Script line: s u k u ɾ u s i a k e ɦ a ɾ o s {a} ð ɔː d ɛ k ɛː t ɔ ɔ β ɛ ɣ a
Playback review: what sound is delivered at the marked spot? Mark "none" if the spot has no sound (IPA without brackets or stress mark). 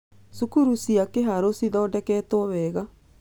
i